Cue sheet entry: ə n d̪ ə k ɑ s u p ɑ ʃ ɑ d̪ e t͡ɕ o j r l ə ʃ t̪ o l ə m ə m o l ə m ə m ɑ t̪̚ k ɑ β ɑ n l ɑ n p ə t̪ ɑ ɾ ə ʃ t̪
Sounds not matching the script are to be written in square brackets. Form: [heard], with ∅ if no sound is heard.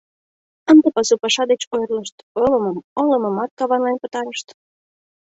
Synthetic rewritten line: ə n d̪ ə [p] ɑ s u p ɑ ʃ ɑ d̪ e t͡ɕ o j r l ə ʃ t̪ o l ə m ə m o l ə m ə m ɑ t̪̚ k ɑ β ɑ n l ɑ n p ə t̪ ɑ ɾ ə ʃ t̪